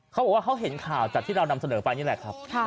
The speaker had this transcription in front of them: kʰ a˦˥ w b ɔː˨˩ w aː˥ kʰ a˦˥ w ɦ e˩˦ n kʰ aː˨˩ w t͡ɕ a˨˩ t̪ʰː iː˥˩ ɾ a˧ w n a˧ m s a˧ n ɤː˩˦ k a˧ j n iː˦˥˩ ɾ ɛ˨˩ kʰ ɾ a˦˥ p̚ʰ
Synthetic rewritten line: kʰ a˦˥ w b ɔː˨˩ w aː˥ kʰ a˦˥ w ɦ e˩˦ n kʰ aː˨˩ w t͡ɕ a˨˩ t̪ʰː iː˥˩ ɾ a˧ w n a˧ m s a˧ n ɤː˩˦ p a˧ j n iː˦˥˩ l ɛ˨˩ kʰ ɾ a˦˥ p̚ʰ